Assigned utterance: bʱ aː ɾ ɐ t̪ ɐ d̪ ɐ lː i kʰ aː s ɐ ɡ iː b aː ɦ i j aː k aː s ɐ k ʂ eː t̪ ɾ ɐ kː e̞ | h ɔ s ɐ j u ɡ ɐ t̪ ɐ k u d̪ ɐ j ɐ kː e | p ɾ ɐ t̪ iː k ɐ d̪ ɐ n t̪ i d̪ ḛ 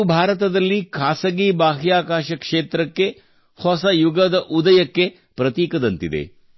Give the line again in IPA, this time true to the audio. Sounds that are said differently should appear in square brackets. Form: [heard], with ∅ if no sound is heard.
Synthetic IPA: bʱ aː ɾ ɐ t̪ ɐ d̪ ɐ lː i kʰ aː s ɐ ɡ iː b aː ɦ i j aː k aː [ʃ] ɐ k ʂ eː t̪ ɾ ɐ kː e̞ | h ɔ s ɐ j u ɡ ɐ [d̪] ɐ [ʔ] u d̪ ɐ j ɐ kː e | p ɾ ɐ t̪ iː k ɐ d̪ ɐ n t̪ i d̪ ḛ